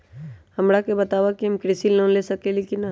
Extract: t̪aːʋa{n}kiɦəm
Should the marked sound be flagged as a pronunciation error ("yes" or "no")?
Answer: yes